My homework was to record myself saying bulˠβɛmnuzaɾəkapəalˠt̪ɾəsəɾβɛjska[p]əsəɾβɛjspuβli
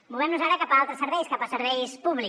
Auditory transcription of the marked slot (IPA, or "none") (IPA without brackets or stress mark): p